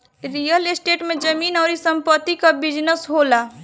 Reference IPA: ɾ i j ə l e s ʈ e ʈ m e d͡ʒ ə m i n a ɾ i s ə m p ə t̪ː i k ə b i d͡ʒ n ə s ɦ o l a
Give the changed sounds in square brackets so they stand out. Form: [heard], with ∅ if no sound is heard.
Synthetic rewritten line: ɾ i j ə l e s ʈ e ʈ m e d͡ʒ ə m i n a ɾ i s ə m p ə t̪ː i k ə b i d͡ʒ n ə s ɦ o l a